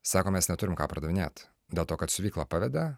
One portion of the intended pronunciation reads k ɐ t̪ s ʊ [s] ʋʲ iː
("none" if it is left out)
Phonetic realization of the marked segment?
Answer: none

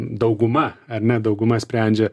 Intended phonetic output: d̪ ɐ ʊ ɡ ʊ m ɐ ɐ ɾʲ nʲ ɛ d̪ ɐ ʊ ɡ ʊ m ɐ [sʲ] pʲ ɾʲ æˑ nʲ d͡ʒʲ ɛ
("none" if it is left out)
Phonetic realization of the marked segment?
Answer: sʲ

